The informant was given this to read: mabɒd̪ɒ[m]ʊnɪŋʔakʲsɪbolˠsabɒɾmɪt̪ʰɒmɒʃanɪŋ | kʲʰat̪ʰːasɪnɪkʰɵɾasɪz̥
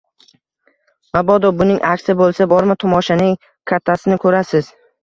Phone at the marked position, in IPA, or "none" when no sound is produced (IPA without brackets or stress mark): b